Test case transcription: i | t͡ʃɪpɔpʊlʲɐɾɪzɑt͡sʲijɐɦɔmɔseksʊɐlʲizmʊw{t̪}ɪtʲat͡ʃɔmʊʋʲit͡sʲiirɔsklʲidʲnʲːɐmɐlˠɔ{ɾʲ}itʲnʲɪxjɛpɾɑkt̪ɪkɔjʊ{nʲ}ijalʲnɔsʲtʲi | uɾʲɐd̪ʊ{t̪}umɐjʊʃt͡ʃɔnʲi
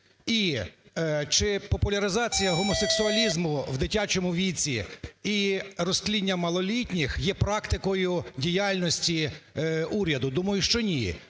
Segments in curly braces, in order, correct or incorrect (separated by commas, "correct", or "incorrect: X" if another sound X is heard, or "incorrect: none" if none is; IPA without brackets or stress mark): incorrect: d̪, incorrect: lʲ, incorrect: dʲ, incorrect: d̪